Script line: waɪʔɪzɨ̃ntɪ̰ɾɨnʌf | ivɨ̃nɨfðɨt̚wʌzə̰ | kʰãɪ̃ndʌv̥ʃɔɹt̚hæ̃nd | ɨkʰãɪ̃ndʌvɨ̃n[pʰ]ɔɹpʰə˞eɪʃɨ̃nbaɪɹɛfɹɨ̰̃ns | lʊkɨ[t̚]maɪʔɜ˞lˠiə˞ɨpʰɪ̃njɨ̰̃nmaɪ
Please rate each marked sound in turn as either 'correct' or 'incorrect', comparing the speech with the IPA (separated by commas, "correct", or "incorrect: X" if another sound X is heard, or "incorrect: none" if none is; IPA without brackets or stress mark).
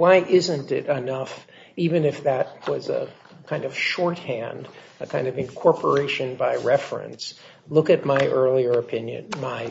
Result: incorrect: kʰ, correct